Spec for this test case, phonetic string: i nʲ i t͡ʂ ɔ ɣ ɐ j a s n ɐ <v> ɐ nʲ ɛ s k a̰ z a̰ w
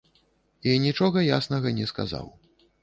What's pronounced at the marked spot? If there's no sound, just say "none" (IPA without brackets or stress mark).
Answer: ɣ